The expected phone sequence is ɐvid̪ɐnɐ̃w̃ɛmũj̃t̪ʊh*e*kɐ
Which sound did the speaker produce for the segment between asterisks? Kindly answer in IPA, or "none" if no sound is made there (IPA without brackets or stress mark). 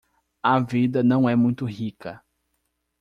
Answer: i